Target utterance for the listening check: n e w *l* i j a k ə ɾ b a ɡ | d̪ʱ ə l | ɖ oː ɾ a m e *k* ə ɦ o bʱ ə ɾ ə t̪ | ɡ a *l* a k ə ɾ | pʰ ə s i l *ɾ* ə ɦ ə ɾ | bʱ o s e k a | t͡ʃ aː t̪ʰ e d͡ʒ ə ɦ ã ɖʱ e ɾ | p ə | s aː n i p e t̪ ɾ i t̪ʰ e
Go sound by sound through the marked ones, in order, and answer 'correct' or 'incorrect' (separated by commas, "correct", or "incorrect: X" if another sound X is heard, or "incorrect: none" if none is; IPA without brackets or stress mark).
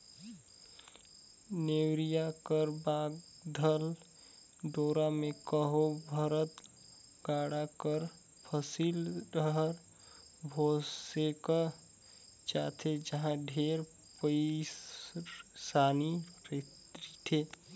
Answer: incorrect: ɾ, correct, incorrect: ɽ, correct